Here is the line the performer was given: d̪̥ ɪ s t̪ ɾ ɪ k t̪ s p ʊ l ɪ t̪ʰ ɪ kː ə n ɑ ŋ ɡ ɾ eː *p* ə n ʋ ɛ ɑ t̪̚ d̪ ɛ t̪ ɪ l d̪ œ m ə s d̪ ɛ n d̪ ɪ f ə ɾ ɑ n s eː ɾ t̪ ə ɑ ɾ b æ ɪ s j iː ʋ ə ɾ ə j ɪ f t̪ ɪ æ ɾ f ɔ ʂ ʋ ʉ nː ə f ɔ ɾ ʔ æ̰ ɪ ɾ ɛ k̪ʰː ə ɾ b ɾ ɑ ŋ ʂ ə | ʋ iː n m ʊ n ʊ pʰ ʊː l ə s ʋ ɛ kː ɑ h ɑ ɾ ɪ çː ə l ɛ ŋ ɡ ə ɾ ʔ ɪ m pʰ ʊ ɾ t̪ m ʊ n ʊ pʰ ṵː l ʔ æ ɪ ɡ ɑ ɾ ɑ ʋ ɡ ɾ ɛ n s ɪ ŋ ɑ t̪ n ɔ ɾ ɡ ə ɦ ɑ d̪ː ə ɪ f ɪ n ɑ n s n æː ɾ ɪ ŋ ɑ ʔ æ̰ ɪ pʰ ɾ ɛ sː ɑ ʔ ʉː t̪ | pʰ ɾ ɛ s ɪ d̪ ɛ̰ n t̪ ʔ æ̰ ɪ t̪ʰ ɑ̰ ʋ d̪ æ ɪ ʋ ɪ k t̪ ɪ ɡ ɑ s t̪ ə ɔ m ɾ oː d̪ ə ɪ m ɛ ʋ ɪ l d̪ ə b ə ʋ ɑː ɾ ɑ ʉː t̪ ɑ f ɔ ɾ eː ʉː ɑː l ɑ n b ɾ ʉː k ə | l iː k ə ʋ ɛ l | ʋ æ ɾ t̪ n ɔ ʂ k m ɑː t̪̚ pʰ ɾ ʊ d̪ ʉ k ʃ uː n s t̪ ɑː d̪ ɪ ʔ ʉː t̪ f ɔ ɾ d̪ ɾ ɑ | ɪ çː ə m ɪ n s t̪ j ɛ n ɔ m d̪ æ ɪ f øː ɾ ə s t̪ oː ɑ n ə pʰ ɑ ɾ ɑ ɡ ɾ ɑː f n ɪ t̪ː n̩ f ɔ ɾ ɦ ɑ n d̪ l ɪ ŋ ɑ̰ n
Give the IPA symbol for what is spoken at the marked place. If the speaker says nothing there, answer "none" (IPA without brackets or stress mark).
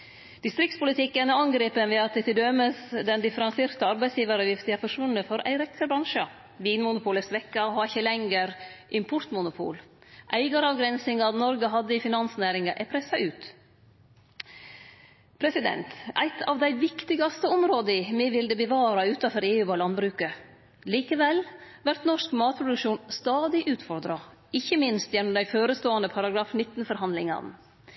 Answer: p